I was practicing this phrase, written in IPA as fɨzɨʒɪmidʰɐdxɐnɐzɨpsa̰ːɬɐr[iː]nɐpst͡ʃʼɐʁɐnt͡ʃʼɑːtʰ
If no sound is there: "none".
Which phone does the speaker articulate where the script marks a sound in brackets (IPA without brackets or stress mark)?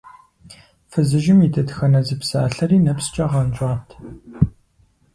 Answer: iː